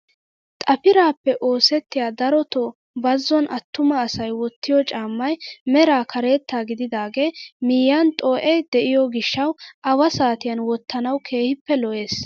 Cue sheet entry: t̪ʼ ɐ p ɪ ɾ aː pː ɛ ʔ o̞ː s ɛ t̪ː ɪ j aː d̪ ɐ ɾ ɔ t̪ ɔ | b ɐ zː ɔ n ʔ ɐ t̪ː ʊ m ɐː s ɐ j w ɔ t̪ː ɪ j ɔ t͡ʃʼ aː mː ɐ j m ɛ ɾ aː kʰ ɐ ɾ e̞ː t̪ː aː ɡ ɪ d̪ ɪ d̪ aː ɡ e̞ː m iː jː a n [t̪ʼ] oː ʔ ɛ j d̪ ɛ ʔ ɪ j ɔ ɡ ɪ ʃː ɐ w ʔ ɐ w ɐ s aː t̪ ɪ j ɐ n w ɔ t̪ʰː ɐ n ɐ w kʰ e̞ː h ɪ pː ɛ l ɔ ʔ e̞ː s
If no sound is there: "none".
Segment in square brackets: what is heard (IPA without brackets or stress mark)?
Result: t̪ʼ